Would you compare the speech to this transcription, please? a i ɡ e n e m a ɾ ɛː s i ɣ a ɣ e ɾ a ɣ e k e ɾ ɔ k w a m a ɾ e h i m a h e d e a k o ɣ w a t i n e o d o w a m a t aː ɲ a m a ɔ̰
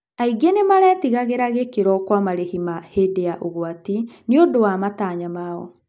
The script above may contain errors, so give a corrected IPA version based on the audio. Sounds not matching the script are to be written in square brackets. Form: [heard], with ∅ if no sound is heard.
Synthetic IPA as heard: a i ɡ e n e m a ɾ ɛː [t] i ɣ a ɣ e ɾ a ɣ e k e ɾ ɔ k w a m a ɾ e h i m a h e d e a [ʔ] o ɣ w a t i n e o d o w a m a t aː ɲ a m a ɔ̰

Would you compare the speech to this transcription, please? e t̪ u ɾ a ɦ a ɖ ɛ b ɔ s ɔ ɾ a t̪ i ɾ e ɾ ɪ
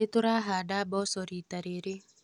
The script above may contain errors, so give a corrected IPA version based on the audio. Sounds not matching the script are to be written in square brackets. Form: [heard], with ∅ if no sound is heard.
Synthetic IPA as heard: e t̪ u ɾ a ɦ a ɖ [a] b ɔ s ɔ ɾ [i] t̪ [a] ɾ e ɾ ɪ

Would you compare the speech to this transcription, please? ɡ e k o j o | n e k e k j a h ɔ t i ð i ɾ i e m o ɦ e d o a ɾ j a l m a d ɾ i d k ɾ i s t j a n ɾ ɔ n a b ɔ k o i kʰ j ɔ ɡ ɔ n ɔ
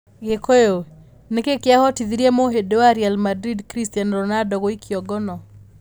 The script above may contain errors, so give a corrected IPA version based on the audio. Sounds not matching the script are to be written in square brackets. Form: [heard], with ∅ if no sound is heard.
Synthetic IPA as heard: ɡ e k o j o | n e k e k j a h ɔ t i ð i ɾ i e m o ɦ e d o a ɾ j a l m a d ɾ i d k ɾ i s t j a n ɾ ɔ n a [d] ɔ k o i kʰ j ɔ ɡ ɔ n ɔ

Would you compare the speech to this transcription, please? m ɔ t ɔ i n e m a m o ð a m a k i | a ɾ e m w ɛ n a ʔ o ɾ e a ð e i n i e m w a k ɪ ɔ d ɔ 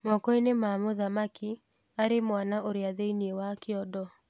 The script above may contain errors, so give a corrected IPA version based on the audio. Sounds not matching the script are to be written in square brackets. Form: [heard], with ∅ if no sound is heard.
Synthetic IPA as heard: m ɔ [k] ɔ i n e m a m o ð a m a k i | a ɾ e m w [a] n a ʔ o ɾ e a ð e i n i e [∅] w a k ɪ ɔ d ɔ

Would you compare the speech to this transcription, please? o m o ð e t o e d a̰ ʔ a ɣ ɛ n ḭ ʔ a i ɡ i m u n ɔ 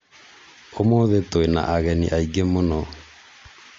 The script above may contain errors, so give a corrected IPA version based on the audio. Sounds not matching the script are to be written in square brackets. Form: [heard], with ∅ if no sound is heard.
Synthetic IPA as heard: o m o ð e t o e [n] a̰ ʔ a ɣ ɛ n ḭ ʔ a i ɡ [e] m [o] n ɔ

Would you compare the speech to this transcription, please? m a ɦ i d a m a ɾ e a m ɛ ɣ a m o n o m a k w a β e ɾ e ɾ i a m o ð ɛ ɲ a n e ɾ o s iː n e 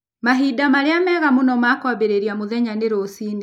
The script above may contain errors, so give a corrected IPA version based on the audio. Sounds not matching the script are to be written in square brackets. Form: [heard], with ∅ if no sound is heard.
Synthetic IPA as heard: m a ɦ i d a m a ɾ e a m ɛ ɣ a m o n [ɔ] m a k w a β e ɾ e ɾ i a m o ð ɛ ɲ a n e ɾ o s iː n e

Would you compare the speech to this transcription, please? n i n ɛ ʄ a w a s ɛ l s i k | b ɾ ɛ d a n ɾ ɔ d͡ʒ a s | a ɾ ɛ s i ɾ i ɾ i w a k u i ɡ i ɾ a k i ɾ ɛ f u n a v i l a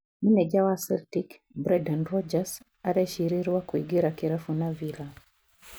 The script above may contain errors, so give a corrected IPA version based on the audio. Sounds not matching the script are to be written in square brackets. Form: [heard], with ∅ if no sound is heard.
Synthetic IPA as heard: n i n ɛ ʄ a w a s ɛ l [t] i k | b ɾ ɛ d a n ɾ ɔ d͡ʒ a s | a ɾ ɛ [ʃ] i ɾ i ɾ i w a k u i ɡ i ɾ a k i ɾ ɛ f u n a v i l a

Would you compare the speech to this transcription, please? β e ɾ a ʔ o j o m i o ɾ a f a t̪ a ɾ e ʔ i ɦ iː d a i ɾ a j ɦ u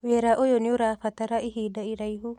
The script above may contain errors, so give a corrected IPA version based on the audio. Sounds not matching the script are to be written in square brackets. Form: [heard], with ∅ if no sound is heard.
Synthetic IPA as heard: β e ɾ a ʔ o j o [n] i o ɾ a f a t̪ a ɾ [a] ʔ i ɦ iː d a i ɾ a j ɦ u

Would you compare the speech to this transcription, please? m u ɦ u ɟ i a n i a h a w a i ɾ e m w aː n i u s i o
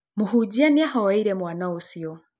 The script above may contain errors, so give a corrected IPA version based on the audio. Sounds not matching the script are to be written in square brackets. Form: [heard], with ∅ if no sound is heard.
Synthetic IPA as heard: m u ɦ u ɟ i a n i a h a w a i ɾ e m w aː n [a] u s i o

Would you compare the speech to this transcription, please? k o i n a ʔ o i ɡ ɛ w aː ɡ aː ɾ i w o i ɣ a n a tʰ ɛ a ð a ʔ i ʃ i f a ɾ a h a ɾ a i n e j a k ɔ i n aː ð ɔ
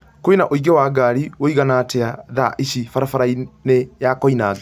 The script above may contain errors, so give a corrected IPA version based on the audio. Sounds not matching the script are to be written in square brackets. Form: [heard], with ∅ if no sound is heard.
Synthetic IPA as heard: k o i n a ʔ o i ɡ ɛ w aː ɡ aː ɾ i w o i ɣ a n a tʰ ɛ a ð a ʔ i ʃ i f a ɾ a [f] a ɾ a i n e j a k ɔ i n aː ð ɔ

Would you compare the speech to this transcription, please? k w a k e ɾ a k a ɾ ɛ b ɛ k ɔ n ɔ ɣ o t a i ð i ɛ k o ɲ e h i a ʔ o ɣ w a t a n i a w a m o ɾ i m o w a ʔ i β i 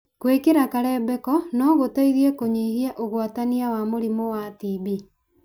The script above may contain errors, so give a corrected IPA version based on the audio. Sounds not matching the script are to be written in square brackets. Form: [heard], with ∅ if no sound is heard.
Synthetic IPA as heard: k w [e] k e ɾ a k a ɾ ɛ b ɛ k ɔ n ɔ ɣ o t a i ð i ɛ k o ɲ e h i a ʔ o ɣ w a t a n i a w a m o ɾ i m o w a [t] i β i

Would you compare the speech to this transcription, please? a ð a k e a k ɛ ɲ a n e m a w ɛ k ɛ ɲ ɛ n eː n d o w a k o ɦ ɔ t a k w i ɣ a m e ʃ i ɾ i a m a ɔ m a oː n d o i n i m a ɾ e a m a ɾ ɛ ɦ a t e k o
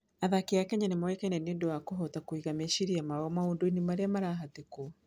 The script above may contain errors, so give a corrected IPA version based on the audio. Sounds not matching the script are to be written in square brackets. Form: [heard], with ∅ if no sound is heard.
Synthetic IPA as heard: a ð a k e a k ɛ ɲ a n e m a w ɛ k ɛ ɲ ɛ n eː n d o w a k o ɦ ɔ t a k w i ɣ a m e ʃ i ɾ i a m a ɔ m a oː n d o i n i m a ɾ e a m a ɾ [a] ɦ a t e k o

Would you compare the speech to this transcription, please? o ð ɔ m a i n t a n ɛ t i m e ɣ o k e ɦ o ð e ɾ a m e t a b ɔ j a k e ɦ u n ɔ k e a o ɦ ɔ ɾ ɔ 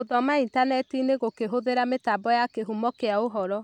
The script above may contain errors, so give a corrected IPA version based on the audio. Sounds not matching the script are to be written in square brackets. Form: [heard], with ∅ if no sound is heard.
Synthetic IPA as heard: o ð ɔ m a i n t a n ɛ t i [n] e ɣ o k e ɦ o ð e ɾ a m e t a b ɔ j a k e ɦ u [m] ɔ k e a o ɦ ɔ ɾ ɔ

